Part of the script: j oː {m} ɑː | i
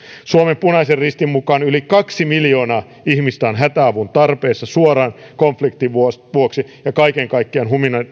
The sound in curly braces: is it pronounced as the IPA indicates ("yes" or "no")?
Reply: no